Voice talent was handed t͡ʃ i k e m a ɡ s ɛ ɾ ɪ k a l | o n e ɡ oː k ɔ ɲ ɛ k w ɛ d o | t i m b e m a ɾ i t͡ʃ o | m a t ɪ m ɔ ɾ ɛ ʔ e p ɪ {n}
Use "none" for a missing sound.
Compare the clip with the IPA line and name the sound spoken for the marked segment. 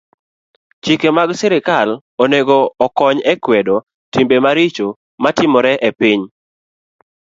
ɲ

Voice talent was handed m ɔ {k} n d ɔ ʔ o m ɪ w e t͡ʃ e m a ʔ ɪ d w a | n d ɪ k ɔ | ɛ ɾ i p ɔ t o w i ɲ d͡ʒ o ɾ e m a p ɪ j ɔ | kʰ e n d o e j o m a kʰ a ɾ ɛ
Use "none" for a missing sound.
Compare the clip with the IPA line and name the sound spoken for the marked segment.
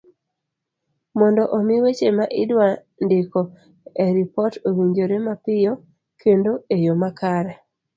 none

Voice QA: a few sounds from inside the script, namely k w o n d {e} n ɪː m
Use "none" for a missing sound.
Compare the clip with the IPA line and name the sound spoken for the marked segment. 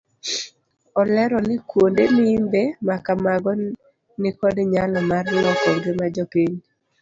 e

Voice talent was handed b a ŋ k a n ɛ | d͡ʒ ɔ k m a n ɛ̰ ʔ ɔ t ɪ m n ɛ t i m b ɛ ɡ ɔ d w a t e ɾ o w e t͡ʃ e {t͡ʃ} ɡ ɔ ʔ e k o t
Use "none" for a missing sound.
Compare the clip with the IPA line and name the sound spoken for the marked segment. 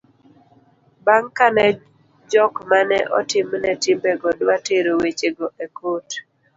none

